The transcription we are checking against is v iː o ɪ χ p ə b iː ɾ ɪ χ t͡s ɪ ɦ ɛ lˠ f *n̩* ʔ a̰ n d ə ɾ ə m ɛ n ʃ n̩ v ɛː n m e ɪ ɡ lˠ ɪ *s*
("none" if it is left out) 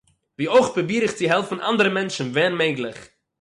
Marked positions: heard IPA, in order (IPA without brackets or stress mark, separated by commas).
n̩, χ